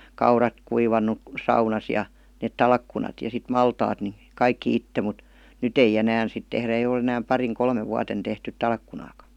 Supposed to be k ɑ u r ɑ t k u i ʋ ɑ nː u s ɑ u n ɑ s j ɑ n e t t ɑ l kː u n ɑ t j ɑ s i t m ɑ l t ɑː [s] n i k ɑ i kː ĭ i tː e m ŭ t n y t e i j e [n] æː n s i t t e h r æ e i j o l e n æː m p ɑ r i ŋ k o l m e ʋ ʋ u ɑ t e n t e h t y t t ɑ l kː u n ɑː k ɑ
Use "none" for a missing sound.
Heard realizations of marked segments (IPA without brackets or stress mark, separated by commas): t, n